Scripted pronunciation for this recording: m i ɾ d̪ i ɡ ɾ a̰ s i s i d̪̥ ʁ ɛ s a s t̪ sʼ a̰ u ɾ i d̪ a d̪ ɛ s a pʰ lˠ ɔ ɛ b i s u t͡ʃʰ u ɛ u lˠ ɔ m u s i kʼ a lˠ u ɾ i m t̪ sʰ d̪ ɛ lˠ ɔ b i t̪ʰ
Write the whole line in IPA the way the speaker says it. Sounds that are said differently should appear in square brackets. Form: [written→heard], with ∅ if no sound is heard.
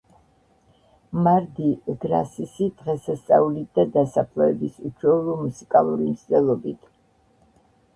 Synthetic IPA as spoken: m [i→a] ɾ d̪ i ɡ ɾ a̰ s i s i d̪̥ ʁ ɛ s a s t̪ sʼ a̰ u [ɾ→l] i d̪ a d̪ [ɛ→a] s a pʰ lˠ ɔ ɛ b i s u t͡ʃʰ [u→w] ɛ u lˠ ɔ m u s i kʼ a lˠ u ɾ i m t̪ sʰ d̪ ɛ lˠ ɔ b i t̪ʰ